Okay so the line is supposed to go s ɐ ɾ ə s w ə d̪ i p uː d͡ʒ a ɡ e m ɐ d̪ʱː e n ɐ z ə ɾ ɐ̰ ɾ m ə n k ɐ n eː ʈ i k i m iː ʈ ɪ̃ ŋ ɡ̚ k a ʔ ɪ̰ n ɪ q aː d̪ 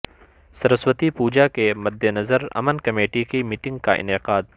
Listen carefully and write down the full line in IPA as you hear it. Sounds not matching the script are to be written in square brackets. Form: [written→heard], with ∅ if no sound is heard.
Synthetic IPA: s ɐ ɾ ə s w ə [d̪→t̪] i p uː d͡ʒ a [ɡ→k] e m ɐ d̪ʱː e n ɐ z ə ɾ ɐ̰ [ɾ→∅] m ə n k ɐ [n→m] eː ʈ i k i m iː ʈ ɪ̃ ŋ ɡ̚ k a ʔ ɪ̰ n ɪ q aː d̪